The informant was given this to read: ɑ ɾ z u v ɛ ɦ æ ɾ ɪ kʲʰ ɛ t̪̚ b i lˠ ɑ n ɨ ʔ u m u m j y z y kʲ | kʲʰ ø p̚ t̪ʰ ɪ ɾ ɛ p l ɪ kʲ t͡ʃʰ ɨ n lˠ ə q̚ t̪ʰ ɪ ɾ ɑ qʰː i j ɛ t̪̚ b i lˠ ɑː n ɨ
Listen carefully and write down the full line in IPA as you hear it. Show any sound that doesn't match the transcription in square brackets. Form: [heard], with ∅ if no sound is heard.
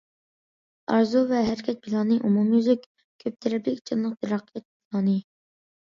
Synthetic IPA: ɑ ɾ z u v ɛ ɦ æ ɾ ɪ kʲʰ ɛ t̪̚ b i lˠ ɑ n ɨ ʔ u m u m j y z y kʲ | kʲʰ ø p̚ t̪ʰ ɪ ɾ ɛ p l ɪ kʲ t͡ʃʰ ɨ n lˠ ə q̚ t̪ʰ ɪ ɾ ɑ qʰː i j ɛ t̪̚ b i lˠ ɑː n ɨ